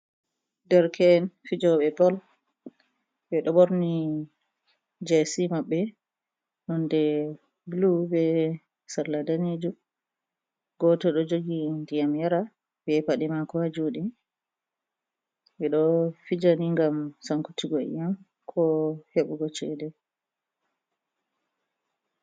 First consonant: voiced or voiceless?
voiced